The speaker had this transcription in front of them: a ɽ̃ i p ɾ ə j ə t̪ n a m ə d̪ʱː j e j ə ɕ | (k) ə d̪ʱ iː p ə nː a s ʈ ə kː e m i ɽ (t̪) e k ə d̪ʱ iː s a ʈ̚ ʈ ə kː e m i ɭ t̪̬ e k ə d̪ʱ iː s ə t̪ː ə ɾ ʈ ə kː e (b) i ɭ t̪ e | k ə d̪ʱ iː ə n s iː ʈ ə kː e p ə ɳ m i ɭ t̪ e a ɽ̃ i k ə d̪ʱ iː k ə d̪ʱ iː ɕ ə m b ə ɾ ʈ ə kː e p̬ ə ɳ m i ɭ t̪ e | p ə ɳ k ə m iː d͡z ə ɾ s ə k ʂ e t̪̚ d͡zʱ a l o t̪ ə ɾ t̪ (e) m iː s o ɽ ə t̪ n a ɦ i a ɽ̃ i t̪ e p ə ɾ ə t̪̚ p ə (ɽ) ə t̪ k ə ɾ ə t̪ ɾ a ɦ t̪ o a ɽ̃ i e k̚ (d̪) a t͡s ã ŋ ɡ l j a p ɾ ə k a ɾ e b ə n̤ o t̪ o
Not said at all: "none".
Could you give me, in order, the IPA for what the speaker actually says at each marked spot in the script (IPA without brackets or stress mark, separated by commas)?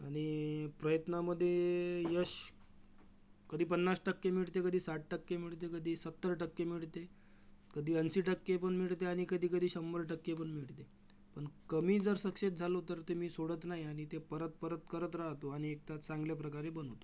k, t̪, m, e, ɾ, t̪